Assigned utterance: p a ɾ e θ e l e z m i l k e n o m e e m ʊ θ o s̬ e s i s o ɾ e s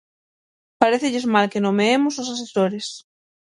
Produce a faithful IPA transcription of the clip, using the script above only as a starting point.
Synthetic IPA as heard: p a ɾ e θ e ʎ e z m a l k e n o m e e m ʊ s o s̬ a s e s o ɾ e s